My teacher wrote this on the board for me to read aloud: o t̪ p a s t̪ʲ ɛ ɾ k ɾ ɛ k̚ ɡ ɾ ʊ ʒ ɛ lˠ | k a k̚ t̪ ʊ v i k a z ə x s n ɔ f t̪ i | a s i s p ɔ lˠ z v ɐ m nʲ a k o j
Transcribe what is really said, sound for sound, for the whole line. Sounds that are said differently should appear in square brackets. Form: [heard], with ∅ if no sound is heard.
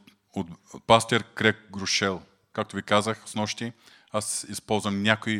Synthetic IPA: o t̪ p a s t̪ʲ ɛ ɾ k ɾ ɛ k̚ ɡ ɾ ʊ [ʃ] ɛ lˠ | k a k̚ t̪ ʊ v i k a z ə x s n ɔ [ʃ] t̪ i | a s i s p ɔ lˠ z v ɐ m nʲ a k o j